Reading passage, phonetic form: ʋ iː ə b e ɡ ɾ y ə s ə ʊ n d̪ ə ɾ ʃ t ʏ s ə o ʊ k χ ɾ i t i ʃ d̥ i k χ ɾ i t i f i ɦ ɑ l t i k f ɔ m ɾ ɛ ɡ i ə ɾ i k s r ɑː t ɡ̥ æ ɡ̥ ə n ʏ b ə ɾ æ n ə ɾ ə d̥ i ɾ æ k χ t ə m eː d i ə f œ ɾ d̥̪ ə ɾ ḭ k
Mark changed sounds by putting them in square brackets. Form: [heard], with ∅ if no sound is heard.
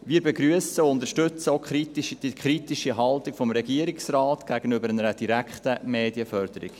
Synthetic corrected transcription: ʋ iː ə b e ɡ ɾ y ə s ə ʊ n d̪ ə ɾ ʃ t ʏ [t͡s] ə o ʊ k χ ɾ i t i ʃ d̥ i k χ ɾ i t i [ʃ] i ɦ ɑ l t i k f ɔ m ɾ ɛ ɡ i ə ɾ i k s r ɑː t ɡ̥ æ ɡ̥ ə n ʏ b ə ɾ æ n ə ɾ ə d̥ i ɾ æ k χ t ə m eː d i ə f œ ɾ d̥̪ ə ɾ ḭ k